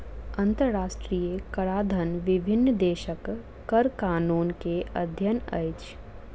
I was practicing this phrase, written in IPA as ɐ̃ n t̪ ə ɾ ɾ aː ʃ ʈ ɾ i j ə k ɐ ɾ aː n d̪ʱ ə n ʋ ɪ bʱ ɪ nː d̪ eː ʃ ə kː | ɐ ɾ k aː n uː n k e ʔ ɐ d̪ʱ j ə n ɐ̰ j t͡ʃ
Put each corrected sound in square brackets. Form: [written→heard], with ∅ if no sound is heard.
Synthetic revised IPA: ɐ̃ n t̪ ə ɾ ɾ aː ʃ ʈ ɾ i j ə k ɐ ɾ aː [n→∅] d̪ʱ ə n ʋ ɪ bʱ ɪ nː d̪ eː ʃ ə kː | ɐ ɾ k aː n uː n k e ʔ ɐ d̪ʱ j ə n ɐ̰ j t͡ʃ